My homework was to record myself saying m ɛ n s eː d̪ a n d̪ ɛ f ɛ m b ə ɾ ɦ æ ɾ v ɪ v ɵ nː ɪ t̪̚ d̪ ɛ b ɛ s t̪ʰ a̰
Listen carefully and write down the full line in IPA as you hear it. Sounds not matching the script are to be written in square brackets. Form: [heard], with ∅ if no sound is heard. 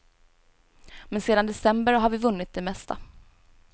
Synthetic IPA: m ɛ n s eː d̪ a n d̪ ɛ [s] ɛ m b ə ɾ ɦ [a] ɾ v ɪ v ɵ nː ɪ t̪̚ d̪ ɛ [m] ɛ s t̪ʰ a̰